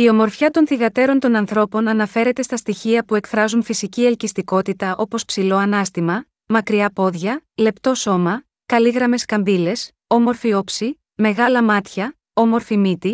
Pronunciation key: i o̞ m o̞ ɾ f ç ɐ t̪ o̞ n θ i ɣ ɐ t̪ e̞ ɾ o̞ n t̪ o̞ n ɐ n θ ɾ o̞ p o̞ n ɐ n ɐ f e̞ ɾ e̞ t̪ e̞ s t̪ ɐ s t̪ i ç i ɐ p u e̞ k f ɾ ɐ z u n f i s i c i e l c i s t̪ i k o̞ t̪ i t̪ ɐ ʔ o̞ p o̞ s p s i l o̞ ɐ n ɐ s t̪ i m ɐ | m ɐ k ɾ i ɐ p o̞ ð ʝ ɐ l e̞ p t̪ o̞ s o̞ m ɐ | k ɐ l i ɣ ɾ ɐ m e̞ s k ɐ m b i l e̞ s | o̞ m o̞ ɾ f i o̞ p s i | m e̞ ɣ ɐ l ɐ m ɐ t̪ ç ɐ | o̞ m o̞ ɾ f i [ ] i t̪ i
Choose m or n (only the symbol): m